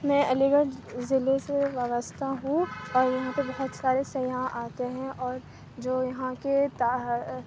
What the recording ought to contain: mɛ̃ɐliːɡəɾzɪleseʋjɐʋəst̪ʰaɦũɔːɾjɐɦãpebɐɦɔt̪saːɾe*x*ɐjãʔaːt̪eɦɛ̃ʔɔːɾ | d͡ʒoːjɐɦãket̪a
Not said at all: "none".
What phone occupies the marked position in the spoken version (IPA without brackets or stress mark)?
s